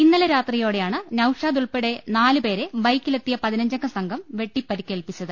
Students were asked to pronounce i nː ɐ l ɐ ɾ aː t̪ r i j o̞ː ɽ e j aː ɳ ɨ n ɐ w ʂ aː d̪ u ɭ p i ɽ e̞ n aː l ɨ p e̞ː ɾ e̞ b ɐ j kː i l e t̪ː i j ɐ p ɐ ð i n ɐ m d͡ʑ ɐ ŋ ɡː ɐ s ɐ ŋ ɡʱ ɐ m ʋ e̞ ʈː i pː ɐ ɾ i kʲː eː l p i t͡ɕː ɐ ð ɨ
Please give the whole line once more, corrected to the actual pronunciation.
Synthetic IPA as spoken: i nː ɐ l ɐ ɾ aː t̪ r i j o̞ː ɽ e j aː ɳ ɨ n ɐ w ʂ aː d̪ u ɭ p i ɽ e̞ n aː l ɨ p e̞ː ɾ e̞ b ɐ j kː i l e t̪ː i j ɐ p ɐ ð i n ɐ ɲ d͡ʑ ɐ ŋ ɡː ɐ s ɐ ŋ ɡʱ ɐ m ʋ e̞ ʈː i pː ɐ ɾ i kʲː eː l p i t͡ɕː ɐ ð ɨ